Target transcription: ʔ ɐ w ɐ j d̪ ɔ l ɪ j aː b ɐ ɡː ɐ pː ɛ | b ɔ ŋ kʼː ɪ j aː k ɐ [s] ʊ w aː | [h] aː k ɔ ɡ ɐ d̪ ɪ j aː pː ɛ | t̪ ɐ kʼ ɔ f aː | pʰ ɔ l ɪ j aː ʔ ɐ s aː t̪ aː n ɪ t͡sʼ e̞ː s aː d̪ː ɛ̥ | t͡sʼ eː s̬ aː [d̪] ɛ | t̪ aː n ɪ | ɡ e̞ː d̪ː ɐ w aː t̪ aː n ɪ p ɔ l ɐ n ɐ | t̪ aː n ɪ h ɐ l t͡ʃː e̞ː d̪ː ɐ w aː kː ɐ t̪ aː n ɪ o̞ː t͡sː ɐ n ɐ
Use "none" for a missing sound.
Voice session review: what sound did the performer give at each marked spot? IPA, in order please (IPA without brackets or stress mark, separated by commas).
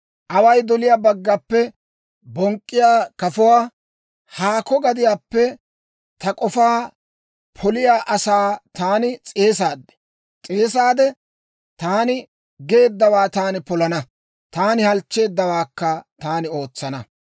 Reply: f, h, d̪